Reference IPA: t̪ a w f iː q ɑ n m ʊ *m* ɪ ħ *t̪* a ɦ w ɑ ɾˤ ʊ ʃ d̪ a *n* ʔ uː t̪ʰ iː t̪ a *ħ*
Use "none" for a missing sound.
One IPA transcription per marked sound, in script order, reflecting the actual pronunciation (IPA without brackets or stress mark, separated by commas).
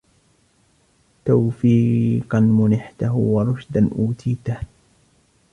n, t̪, n, h